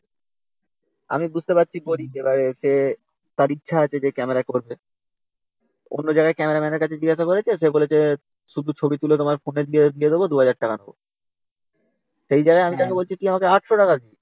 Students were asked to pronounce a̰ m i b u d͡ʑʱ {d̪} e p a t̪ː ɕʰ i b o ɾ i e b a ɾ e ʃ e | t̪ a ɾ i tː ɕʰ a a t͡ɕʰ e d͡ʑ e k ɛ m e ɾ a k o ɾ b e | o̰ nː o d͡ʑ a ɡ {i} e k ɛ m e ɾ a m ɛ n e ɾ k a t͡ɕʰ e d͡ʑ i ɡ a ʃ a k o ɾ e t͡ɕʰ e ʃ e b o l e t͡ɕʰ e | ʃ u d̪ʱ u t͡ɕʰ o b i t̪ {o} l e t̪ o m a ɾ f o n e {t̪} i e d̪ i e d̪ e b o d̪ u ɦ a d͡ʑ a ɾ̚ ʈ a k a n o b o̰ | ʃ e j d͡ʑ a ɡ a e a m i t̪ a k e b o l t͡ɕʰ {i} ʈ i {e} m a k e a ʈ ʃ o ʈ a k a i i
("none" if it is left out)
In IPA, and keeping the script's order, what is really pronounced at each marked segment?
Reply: t̪, a, u, d̪, i, a

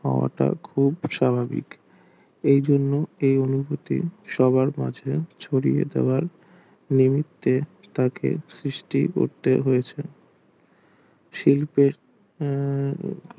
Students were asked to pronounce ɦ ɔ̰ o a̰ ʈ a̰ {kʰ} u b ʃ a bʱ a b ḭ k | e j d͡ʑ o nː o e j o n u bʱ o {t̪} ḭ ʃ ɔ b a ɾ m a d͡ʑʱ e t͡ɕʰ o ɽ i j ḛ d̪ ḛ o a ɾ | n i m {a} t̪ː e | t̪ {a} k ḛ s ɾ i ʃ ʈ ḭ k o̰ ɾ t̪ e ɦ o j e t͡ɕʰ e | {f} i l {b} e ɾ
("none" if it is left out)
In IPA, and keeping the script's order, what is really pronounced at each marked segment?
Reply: kʰ, t̪, i, a, ʃ, p

